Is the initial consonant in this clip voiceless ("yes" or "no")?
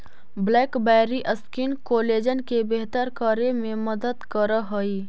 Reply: no